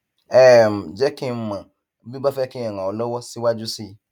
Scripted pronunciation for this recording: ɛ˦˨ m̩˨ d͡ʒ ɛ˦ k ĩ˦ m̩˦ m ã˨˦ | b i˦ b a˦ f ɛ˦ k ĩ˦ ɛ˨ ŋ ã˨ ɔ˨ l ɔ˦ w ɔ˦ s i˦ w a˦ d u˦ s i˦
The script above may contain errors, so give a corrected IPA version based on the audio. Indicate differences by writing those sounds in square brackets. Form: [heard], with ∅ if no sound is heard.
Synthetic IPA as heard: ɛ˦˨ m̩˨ d͡ʒ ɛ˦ k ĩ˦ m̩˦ m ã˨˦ | b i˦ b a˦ f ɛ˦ k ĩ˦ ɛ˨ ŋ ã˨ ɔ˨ l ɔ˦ w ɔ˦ s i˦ w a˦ [d͡ʒ] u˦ s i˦